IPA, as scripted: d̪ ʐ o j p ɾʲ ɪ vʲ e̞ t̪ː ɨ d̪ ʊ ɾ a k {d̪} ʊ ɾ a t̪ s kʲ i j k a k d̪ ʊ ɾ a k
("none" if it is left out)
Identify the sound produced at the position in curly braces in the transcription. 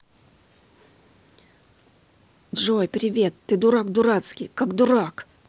d̪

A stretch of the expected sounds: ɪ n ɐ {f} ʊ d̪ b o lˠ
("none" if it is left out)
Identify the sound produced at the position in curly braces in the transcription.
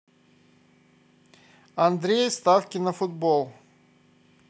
f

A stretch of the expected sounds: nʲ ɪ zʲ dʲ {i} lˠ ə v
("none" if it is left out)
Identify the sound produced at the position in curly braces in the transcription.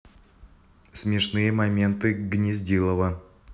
i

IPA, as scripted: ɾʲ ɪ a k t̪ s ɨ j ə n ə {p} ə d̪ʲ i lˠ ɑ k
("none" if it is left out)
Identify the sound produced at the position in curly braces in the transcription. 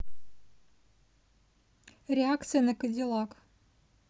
k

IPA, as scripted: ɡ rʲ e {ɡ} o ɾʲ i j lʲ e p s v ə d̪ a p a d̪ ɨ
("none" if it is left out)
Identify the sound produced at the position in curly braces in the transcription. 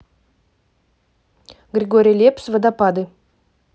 ɡ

